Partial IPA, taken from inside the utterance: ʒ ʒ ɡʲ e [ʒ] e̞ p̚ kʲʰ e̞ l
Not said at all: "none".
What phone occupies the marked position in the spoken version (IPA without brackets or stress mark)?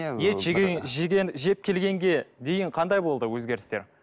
ʒ